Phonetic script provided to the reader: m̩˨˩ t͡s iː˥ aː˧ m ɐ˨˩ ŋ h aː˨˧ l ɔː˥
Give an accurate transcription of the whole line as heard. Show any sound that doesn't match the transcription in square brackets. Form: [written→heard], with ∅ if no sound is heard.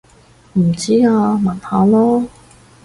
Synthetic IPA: m̩˨˩ t͡s iː˥ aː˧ m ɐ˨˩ [ŋ→n] h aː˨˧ l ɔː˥